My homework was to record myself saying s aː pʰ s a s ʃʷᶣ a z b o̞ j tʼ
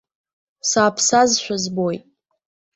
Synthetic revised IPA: s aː pʰ s a z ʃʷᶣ a z b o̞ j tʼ